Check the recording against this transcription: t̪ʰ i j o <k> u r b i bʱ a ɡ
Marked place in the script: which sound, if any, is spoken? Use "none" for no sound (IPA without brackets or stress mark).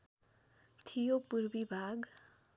p